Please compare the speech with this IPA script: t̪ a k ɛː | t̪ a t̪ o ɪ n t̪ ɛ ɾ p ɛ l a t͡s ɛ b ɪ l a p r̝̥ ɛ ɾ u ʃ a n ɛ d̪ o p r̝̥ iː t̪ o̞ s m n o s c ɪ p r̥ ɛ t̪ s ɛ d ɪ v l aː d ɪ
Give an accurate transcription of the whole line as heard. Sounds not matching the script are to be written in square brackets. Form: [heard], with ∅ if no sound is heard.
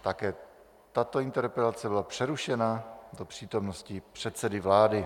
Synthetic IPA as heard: t̪ a k ɛː | t̪ a t̪ o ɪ n t̪ ɛ ɾ p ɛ l a t͡s ɛ b ɪ l a p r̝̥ ɛ ɾ u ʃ [ɛ] n [a] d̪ o p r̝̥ iː t̪ o̞ [∅] m n o s c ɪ p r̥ ɛ t̪ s ɛ d ɪ v l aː d ɪ